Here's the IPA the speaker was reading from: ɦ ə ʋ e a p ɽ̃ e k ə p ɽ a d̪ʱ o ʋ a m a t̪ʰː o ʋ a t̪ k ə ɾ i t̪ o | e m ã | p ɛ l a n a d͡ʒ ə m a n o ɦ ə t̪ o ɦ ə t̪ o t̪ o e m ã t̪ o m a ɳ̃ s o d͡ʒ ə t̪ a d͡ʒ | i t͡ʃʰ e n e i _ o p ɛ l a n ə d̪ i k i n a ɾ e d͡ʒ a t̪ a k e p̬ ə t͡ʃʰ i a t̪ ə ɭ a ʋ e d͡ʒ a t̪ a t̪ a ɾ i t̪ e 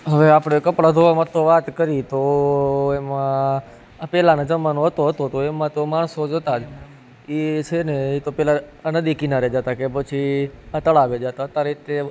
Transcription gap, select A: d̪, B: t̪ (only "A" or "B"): B